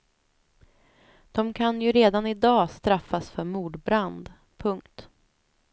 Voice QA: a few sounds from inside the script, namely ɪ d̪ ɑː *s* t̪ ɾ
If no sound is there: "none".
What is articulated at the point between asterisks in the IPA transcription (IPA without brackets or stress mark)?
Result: s